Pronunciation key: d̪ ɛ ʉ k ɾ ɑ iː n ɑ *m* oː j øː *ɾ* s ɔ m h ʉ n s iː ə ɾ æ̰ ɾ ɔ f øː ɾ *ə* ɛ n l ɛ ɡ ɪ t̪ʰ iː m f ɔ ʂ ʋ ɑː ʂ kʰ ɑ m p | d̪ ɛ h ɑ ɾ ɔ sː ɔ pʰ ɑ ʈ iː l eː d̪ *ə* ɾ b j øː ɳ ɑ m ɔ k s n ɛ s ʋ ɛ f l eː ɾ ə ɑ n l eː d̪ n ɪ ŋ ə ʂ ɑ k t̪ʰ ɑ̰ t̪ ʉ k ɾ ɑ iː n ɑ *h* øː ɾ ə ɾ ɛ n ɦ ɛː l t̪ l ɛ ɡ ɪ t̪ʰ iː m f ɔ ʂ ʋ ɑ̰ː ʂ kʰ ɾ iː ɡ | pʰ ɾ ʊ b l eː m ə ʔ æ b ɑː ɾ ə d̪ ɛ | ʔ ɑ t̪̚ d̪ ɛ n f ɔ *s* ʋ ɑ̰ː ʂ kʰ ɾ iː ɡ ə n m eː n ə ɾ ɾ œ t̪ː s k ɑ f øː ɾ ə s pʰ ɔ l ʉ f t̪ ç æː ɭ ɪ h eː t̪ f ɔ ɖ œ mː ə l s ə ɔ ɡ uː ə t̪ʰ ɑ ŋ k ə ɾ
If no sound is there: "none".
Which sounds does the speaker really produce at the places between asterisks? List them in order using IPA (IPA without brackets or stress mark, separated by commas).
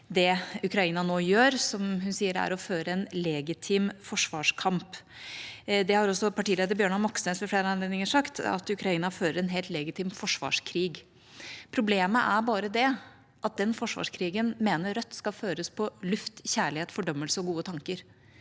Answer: n, ɾ, ə, ə, f, ʂ